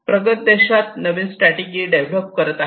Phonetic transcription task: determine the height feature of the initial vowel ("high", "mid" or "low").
mid